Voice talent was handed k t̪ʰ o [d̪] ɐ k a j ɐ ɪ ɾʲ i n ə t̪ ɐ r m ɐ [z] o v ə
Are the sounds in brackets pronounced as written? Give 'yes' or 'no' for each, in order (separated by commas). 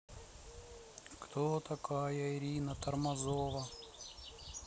no, yes